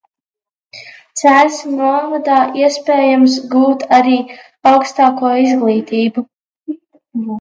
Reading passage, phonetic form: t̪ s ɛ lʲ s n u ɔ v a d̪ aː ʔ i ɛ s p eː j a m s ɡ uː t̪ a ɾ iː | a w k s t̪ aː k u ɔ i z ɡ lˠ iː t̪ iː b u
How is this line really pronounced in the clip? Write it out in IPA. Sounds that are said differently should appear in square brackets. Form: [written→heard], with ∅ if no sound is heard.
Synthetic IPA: t̪ s [ɛ→æ] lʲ s n u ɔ v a d̪ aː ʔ i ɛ s p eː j a m s ɡ uː t̪ a ɾ iː | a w k s t̪ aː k u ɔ i z ɡ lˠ iː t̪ iː b u

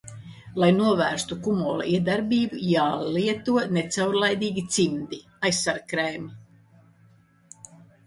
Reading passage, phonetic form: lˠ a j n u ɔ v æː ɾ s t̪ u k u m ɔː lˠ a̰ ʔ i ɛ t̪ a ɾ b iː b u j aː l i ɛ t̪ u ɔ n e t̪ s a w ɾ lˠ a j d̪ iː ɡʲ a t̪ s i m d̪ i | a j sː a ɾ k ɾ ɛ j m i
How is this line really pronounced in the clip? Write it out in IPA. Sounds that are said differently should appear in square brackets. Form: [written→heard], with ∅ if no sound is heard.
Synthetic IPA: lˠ a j n u ɔ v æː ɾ s t̪ u k u m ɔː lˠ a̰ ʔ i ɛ [t̪→d̪] a ɾ b iː b u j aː l i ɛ t̪ u ɔ n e t̪ s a w ɾ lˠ a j d̪ iː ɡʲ [a→i] t̪ s i m d̪ i | a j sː a ɾ k ɾ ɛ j m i

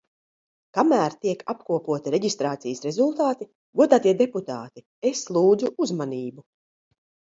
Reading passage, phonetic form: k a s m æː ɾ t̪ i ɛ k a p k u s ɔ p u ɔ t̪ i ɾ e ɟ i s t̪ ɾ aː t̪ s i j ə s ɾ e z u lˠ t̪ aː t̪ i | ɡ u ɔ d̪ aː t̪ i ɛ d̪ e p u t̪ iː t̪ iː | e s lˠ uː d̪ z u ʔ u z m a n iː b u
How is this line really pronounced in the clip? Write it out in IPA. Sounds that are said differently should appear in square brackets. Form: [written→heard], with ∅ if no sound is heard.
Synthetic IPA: k a [s→∅] m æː ɾ t̪ i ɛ k a p k u [s→∅] ɔ p u ɔ t̪ i ɾ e ɟ i s t̪ ɾ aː t̪ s i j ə s ɾ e z u lˠ t̪ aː t̪ i | ɡ u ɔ d̪ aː t̪ i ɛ d̪ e p u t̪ [iː→aː] t̪ [iː→i] | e s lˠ uː d̪ z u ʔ u z m a n iː b u

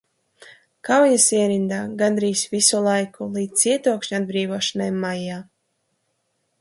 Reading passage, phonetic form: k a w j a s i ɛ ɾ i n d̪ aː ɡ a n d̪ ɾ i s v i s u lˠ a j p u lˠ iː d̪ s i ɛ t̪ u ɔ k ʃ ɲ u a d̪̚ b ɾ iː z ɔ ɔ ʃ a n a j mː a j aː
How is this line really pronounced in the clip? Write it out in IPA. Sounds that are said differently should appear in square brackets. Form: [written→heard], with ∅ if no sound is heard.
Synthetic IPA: k a w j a s i ɛ ɾ i n d̪ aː ɡ a n d̪ ɾ [i→iː] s v i s u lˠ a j [p→k] u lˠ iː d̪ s i ɛ t̪ u ɔ k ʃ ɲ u a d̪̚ b ɾ iː [z→v] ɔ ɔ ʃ a n a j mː a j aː

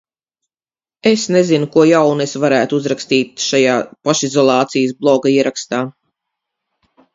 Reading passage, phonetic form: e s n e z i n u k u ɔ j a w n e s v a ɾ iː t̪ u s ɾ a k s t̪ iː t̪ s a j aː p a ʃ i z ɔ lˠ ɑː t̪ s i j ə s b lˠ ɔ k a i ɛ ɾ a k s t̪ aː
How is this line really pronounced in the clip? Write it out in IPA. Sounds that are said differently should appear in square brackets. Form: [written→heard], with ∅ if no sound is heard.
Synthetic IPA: e s n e z i n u k u ɔ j a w n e s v a ɾ [iː→æː] t̪ u [s→z] ɾ a k s t̪ iː t̪ [s→ʃ] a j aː p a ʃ i z ɔ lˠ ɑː t̪ s i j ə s b lˠ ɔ [k→ɡ] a i ɛ ɾ a k s t̪ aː

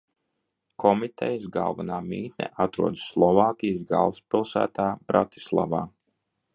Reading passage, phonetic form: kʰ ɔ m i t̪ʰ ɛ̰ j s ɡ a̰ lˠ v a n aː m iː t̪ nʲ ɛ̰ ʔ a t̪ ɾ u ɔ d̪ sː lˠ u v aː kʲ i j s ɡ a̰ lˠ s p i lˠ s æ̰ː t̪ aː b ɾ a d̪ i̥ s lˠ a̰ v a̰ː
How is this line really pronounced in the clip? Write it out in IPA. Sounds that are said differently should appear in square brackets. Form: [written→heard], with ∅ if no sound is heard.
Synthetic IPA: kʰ ɔ m i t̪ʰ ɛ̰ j s ɡ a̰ lˠ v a n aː m iː t̪ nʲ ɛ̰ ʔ a t̪ ɾ u ɔ d̪ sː lˠ [u→ɔ] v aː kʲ i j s ɡ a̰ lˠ s p i lˠ s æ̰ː t̪ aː b ɾ a [d̪→t̪] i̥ s lˠ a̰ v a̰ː

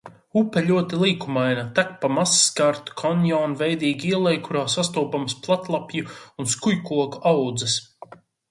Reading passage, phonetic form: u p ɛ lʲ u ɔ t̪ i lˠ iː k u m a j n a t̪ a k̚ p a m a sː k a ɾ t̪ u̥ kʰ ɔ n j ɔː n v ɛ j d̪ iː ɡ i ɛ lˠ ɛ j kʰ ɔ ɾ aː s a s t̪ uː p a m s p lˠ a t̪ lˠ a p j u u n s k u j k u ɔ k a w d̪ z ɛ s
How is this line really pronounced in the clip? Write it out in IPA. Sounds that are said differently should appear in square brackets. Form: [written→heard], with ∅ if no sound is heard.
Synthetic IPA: u p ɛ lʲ u ɔ t̪ i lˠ iː k u m a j n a t̪ a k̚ p a m a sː k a ɾ t̪ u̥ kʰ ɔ n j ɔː n v ɛ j d̪ iː ɡ i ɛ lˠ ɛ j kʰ [ɔ→u] ɾ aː s a s t̪ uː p a m s p lˠ a t̪ lˠ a p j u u n s k u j k u ɔ k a w d̪ z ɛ s

